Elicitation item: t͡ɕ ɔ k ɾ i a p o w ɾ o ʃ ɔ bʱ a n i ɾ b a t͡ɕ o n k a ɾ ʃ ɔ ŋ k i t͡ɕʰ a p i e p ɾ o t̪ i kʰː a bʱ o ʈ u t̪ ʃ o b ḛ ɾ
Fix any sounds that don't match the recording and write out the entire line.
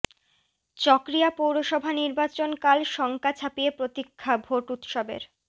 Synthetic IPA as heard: t͡ɕ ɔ k ɾ i a p o w ɾ o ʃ ɔ bʱ a n i ɾ b a t͡ɕ o n k a l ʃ ɔ ŋ k a t͡ɕʰ a p i e p ɾ o t̪ i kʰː a bʱ o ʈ u t̪ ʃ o b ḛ ɾ